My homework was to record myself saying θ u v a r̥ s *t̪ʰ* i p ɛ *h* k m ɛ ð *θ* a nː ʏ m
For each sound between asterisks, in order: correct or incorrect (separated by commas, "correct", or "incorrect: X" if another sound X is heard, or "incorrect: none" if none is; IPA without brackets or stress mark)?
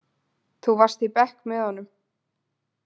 incorrect: t̪, correct, incorrect: h